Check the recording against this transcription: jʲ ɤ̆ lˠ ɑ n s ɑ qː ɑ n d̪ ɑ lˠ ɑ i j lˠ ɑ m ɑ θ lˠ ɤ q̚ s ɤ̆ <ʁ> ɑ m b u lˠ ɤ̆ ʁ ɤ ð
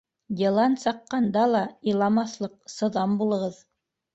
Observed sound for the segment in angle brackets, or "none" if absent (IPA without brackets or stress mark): ð